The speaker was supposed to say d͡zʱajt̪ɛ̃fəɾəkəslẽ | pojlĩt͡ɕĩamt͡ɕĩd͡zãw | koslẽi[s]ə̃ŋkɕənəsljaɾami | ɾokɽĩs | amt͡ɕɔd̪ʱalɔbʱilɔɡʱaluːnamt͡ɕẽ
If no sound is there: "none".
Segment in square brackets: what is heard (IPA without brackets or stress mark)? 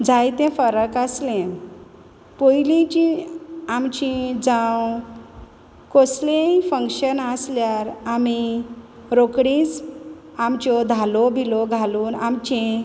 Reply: f